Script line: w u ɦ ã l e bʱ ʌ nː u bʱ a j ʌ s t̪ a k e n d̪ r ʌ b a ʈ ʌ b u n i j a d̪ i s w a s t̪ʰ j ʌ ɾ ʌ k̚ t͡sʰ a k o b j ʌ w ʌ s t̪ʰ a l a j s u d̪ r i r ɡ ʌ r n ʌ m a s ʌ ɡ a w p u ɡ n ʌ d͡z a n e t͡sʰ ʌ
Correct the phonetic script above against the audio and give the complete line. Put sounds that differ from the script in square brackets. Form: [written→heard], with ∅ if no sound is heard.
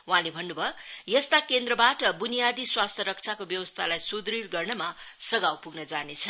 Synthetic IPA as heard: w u ɦ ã l e bʱ ʌ nː u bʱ [a→ʌ] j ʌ s t̪ a k e n d̪ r ʌ b a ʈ ʌ b u n i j a d̪ i s w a s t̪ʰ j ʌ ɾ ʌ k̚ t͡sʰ a k o b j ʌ w ʌ s t̪ʰ a l a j s u d̪ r i r ɡ ʌ r n ʌ m a s ʌ ɡ a w p u ɡ n ʌ d͡z a n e t͡sʰ ʌ